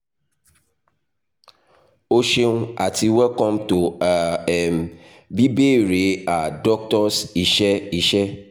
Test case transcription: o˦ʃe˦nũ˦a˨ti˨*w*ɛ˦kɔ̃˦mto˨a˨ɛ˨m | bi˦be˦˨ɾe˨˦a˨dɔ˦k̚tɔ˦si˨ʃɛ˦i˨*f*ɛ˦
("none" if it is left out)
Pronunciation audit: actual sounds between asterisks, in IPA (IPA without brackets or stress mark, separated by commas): w, ʃ